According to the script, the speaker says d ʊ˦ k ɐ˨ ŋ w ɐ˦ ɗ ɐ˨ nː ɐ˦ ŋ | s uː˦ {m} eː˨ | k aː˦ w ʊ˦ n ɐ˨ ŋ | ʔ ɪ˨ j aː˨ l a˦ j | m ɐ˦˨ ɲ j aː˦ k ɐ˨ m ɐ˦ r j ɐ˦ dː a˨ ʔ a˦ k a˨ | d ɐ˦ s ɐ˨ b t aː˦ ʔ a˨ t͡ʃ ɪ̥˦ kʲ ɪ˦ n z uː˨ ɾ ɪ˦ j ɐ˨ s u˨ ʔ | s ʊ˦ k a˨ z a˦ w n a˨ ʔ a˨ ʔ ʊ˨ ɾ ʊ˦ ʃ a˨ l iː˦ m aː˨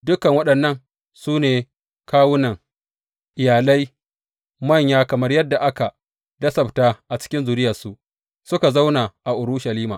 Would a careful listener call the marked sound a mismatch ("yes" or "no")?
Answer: yes